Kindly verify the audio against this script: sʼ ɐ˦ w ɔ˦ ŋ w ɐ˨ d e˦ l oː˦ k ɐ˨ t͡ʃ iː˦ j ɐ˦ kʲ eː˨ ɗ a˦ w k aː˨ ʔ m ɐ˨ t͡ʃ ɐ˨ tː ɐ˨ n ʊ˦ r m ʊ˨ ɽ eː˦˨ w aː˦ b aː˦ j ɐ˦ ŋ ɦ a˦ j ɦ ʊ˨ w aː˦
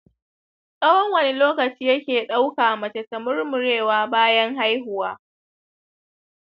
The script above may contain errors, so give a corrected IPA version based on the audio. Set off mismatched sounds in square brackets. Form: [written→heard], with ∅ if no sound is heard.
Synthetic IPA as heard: sʼ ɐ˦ w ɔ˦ ŋ w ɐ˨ [d→n] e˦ l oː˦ k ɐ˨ t͡ʃ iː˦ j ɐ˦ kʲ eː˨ ɗ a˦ w k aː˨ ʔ m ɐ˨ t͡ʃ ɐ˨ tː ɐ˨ [n→m] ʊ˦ r m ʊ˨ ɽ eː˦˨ w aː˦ b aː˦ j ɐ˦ ŋ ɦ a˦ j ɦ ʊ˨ w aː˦